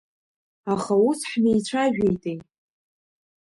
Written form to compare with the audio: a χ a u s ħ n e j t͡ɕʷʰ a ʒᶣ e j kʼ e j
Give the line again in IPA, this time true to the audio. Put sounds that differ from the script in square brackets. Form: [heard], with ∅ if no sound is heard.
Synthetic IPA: a χ a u s ħ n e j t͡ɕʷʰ a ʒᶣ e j [tʼ] e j